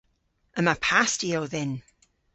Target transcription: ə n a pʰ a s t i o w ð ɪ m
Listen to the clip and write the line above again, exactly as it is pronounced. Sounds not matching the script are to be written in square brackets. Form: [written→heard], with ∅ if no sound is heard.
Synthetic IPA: ə [n→m] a pʰ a s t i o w ð ɪ [m→n]